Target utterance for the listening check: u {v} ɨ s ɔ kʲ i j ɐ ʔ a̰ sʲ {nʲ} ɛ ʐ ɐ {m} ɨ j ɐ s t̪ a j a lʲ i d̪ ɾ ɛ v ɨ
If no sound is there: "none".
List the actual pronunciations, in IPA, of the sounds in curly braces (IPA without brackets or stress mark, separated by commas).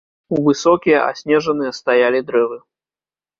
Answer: v, nʲ, n